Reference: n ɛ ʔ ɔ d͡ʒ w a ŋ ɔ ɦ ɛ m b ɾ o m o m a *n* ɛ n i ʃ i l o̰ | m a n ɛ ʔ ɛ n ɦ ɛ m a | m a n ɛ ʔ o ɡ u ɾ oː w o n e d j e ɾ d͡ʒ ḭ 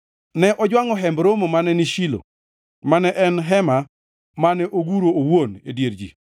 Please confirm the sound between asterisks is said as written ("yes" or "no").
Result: yes